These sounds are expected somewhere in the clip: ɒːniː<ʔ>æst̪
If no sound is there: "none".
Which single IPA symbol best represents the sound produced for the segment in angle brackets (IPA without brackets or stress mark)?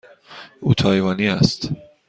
none